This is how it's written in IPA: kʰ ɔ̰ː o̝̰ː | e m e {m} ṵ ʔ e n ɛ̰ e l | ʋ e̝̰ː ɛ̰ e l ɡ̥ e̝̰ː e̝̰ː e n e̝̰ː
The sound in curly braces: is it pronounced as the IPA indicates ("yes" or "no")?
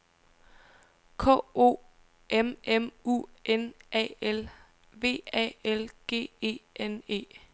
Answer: yes